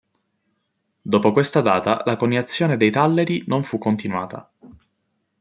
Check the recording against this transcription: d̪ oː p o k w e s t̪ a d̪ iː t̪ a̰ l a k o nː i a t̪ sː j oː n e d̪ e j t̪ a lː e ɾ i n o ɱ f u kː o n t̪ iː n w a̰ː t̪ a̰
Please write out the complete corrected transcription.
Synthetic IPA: d̪ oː p o k w e s t̪ a d̪ aː t̪ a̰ l a k o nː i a t̪ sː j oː n e d̪ e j t̪ a lː e ɾ i n o ɱ f u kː o n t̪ i n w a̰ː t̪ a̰